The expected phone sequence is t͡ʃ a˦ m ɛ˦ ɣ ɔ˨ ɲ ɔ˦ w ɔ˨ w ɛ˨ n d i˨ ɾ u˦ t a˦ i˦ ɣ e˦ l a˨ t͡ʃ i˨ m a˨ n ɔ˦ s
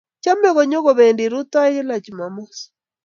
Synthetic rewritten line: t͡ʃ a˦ m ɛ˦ ɣ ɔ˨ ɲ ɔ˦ ɣ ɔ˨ β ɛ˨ n d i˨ ɾ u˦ t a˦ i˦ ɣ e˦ l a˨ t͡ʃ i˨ m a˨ m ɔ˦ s